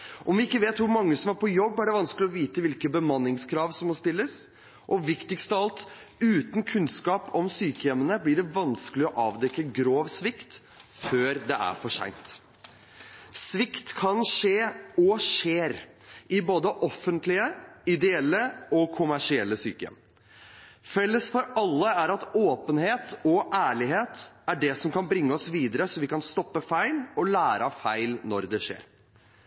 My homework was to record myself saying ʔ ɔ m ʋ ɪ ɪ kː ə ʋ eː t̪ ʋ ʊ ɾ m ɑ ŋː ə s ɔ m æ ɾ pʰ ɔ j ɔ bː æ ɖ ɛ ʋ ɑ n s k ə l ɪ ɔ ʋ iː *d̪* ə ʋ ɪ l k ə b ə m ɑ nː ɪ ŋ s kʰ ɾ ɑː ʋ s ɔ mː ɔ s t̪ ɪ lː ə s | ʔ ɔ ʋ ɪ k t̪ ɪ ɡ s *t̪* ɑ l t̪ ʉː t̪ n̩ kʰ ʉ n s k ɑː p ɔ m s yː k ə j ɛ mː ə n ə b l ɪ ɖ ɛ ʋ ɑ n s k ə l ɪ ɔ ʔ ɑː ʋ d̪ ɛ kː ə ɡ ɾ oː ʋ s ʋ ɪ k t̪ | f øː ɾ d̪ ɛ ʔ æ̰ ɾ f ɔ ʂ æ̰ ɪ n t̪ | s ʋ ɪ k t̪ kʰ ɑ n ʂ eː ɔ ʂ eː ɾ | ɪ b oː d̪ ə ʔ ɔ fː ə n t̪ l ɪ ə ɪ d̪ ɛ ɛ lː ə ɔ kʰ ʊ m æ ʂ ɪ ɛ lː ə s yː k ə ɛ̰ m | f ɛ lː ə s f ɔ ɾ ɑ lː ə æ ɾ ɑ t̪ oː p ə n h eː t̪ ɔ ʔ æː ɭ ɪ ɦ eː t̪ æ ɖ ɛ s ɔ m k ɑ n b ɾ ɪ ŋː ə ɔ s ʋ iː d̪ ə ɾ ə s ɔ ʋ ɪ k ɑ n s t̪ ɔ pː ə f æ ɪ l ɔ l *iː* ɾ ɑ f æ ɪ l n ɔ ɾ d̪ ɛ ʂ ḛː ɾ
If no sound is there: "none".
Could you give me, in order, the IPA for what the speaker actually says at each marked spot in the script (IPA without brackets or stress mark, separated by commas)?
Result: t̪, t̪, æː